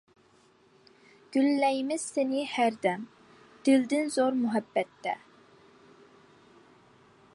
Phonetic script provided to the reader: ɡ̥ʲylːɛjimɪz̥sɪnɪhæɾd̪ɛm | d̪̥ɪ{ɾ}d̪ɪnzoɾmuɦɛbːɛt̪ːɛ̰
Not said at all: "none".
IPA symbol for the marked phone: l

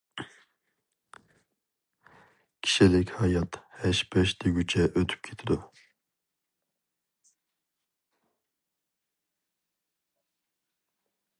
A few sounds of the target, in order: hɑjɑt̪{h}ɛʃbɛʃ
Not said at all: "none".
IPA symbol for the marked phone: h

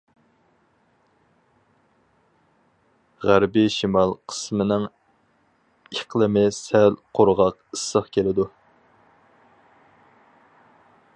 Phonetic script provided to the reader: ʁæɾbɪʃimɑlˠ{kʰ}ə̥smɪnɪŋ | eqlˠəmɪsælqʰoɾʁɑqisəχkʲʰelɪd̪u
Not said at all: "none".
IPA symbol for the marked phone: qʰ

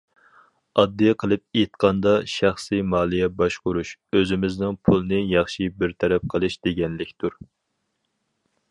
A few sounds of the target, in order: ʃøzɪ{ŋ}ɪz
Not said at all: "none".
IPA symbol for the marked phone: m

